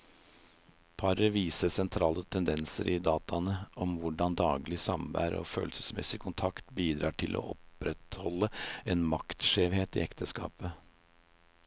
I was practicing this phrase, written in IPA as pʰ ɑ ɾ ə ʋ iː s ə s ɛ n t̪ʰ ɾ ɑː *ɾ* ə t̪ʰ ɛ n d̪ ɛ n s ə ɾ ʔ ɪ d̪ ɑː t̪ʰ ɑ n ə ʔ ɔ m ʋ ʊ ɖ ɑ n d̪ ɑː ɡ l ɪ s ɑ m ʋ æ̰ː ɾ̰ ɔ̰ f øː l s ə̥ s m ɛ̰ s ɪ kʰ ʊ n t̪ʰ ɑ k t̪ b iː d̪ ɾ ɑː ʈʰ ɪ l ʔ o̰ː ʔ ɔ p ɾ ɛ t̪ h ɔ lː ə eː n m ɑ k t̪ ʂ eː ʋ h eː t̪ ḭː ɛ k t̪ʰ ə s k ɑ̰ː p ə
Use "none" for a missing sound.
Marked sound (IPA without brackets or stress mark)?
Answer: l